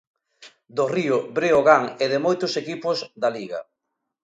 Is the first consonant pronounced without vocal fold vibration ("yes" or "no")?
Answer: no